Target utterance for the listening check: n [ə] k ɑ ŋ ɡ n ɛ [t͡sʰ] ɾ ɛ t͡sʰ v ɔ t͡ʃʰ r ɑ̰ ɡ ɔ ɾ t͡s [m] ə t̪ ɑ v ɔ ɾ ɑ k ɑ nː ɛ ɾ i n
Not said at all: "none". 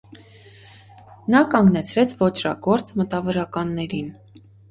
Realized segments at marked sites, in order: ɑ, t͡sʰ, m

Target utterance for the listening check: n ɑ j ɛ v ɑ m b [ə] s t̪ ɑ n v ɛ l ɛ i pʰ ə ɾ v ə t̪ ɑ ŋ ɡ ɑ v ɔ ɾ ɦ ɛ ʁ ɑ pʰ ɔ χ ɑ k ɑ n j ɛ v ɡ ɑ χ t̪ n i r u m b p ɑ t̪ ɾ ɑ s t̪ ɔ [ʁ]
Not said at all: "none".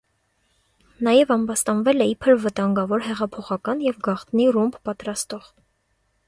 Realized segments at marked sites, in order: ɑ, ʁ

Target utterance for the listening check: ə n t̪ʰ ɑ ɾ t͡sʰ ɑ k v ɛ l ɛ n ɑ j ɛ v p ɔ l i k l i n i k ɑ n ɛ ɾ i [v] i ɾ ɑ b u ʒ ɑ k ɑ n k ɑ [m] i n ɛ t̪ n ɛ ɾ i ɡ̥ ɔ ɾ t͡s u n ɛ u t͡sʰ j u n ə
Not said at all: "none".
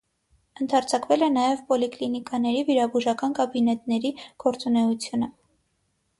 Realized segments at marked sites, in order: v, b

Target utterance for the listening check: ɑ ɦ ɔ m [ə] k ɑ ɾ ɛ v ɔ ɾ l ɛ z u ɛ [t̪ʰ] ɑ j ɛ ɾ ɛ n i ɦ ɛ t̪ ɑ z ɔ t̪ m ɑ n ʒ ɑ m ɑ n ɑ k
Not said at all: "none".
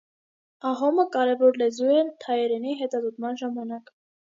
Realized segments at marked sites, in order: ə, t̪ʰ

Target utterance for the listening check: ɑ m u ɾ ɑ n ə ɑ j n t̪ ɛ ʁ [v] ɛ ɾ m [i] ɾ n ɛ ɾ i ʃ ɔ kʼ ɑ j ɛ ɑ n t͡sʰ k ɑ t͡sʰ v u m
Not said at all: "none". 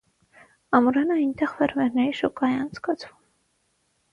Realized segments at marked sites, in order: v, ɛ

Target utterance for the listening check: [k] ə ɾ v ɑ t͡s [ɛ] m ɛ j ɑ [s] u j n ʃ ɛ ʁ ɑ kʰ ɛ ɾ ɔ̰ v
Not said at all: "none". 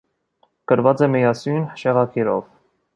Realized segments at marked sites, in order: k, ɛ, s

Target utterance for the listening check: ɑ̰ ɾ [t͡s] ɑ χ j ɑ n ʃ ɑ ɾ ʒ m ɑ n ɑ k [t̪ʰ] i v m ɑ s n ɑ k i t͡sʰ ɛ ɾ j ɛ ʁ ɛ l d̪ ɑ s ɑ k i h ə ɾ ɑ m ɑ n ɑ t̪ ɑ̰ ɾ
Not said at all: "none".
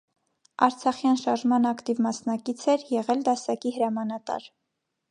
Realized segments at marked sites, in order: t͡sʰ, t̪

